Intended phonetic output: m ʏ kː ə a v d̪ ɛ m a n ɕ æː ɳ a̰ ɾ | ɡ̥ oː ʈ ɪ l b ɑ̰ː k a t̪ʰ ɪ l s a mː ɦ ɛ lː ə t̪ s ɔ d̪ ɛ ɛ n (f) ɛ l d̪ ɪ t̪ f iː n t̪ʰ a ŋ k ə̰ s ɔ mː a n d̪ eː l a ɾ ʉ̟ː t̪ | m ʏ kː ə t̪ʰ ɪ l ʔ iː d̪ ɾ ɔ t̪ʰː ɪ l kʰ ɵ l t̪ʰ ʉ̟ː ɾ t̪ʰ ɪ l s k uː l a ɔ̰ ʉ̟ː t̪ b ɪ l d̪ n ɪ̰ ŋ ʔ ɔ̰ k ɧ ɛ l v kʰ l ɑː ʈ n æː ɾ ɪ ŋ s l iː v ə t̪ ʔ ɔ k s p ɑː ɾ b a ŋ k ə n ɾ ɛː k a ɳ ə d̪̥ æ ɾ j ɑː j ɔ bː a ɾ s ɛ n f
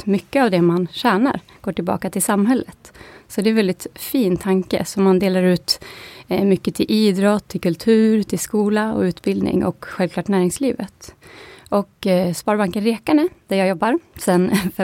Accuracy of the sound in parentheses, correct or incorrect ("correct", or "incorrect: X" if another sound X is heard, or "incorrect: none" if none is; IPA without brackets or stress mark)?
incorrect: v